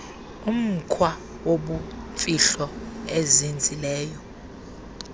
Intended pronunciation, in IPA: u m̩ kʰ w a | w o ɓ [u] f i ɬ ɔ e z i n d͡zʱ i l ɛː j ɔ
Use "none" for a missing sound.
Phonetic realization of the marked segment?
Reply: u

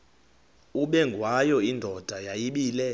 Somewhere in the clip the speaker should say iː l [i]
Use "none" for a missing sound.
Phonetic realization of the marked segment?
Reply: ɛ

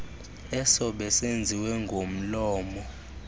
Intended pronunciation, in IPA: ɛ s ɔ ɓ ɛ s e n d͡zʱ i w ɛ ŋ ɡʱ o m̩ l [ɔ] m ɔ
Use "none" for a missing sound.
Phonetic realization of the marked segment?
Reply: ɔː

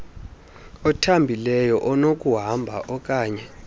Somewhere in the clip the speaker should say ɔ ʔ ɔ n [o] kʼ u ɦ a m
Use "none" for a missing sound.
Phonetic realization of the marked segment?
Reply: o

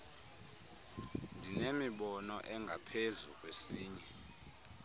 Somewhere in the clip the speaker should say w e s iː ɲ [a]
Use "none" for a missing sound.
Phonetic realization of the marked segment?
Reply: ɛ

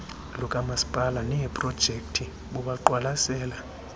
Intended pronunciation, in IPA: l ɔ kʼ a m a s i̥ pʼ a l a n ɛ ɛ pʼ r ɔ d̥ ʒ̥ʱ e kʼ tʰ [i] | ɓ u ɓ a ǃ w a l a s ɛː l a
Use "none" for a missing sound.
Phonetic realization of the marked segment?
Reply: i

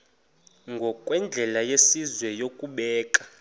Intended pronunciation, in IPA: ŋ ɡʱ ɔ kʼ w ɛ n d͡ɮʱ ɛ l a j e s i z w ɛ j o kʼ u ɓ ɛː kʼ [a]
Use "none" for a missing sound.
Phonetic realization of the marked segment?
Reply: a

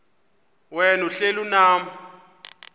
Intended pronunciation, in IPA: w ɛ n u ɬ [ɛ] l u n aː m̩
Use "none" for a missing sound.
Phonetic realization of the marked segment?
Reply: e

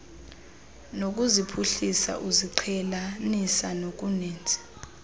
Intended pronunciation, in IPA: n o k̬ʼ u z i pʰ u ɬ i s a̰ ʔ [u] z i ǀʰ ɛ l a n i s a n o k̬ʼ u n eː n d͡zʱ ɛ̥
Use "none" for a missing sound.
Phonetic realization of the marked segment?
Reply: u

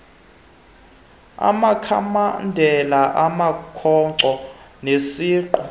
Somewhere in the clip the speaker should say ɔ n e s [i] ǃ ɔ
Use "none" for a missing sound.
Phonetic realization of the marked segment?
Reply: iː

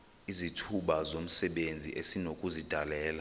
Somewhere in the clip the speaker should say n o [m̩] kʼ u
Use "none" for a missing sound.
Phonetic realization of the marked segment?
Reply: none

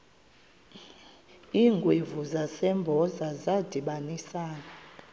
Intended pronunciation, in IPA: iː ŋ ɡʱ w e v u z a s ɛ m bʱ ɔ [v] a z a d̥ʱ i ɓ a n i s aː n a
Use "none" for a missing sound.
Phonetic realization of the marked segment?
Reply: z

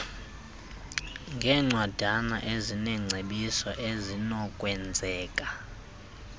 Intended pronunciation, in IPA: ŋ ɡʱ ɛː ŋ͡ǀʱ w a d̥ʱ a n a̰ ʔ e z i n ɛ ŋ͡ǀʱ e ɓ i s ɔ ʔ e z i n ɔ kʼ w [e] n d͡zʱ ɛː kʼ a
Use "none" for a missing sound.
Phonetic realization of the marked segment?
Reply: ɛ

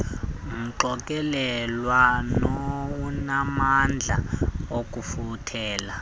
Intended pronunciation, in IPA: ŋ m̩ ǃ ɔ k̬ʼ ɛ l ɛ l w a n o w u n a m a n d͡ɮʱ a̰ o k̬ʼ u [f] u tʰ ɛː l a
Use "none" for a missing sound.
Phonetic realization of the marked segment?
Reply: f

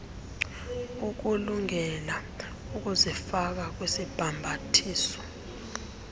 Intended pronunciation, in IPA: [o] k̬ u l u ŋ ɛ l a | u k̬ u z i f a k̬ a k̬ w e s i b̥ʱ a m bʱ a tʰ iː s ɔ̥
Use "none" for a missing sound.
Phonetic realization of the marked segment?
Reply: u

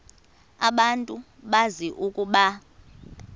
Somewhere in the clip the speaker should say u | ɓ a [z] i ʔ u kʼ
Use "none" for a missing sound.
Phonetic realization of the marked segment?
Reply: z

